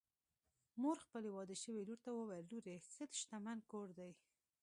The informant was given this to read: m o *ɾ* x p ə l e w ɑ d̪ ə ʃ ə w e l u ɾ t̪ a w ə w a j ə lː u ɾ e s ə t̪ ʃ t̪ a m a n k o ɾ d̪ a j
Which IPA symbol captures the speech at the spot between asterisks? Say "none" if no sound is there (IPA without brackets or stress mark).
ɾ